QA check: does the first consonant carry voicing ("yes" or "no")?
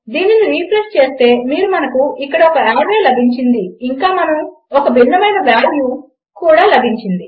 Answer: yes